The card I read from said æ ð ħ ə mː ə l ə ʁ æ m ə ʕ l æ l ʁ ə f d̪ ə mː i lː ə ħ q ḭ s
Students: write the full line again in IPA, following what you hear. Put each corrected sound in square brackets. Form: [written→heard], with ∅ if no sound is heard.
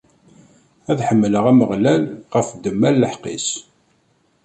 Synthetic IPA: æ ð ħ ə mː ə l ə ʁ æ m ə [ʕ→ʁ] l æ l ʁ ə f d̪ ə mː [i→æ] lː ə ħ q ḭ s